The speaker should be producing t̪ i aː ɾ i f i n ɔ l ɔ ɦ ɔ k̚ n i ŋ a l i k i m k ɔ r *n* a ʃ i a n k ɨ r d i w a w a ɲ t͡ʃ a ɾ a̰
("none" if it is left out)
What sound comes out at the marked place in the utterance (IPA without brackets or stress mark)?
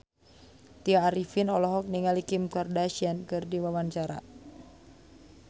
d